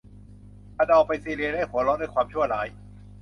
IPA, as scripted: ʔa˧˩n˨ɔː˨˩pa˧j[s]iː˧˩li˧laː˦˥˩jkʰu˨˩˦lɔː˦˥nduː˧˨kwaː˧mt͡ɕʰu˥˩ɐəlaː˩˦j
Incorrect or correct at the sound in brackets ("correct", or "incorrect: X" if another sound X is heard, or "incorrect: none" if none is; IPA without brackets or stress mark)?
correct